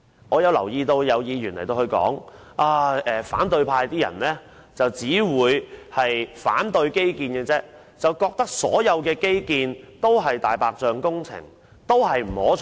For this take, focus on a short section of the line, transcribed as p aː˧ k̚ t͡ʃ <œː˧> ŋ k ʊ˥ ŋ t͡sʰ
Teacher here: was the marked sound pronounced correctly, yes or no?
yes